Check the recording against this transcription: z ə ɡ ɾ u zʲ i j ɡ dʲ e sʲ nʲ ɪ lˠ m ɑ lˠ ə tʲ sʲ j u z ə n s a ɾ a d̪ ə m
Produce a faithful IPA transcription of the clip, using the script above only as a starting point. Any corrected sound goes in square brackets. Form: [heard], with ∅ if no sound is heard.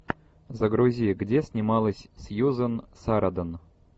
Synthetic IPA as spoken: z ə ɡ ɾ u zʲ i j ɡ dʲ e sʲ nʲ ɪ [∅] m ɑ lˠ ə [sʲ] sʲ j u z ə n s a ɾ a d̪ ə [n]